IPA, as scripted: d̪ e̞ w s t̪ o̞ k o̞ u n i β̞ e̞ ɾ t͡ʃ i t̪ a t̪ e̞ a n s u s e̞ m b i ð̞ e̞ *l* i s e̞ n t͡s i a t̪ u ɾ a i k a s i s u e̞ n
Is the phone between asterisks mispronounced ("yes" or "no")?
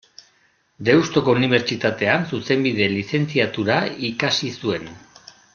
no